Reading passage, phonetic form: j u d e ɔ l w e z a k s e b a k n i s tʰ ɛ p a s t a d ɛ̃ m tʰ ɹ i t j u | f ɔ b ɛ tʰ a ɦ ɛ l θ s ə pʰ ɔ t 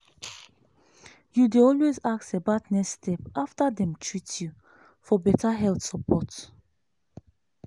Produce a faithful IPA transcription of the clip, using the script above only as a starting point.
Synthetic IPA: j u d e ɔ l w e z a k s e b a t n ɛ s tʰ ɛ p a f t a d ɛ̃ m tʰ ɹ i t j u | f ɔ b ɛ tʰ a ɦ ɛ l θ s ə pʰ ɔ t